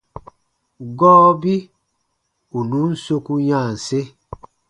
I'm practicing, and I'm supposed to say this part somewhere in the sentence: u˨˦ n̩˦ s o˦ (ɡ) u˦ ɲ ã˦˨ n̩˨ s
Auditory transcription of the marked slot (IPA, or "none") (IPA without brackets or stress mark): k